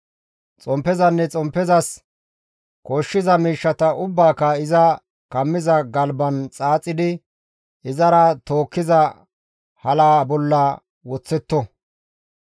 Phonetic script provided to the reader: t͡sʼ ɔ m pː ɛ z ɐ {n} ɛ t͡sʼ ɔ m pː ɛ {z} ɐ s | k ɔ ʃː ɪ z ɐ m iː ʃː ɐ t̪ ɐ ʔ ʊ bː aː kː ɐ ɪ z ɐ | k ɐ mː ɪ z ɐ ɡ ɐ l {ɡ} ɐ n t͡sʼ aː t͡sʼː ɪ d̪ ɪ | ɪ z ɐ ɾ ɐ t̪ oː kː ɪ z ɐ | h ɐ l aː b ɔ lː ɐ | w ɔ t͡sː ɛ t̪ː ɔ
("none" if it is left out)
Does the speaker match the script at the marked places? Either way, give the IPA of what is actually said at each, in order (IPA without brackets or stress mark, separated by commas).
nː, z, b